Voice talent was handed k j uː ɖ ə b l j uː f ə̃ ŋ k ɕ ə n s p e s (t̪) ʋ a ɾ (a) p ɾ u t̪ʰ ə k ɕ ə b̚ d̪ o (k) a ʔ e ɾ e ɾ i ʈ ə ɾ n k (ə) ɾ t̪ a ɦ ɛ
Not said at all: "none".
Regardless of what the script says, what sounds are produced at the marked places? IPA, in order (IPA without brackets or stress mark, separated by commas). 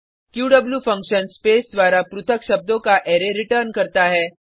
d̪, a, k, ə